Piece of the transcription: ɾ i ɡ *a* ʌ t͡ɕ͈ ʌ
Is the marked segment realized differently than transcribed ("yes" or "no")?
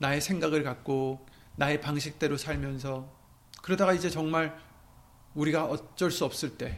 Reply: no